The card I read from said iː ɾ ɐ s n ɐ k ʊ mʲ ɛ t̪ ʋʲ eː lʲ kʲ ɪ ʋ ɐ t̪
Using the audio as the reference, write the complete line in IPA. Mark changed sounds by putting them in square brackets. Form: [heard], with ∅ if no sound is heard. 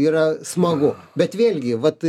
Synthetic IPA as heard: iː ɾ ɐ s [m] ɐ [ɡ] ʊ [bʲ] ɛ t̪ ʋʲ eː lʲ [ɡʲ] ɪ ʋ ɐ t̪